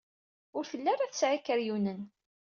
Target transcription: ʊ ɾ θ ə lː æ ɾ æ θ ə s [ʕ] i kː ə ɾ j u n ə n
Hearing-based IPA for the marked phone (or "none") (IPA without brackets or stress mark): ʕ